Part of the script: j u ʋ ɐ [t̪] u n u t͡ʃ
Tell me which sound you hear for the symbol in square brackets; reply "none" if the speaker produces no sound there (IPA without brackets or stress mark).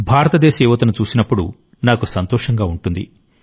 t̪